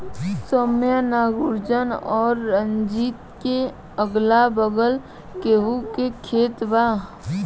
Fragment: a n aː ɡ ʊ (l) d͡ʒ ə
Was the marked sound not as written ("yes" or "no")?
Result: yes